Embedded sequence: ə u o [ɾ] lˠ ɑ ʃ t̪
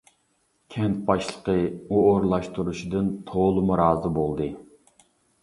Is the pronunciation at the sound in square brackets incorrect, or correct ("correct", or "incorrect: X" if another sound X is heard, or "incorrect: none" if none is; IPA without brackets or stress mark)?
correct